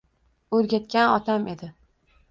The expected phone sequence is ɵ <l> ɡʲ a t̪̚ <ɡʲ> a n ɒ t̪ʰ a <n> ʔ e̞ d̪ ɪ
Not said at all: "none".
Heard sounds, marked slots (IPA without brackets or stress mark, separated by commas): ɾ, kʲ, m